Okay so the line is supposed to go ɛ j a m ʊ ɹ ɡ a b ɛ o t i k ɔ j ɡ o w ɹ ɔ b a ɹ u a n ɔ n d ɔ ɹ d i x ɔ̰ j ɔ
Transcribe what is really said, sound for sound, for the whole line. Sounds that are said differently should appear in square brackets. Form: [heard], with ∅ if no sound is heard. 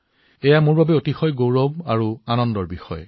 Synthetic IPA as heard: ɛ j a m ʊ ɹ [b] a b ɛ o t i [x] ɔ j ɡ o w ɹ ɔ b a ɹ u a n ɔ n d ɔ ɹ [b] i x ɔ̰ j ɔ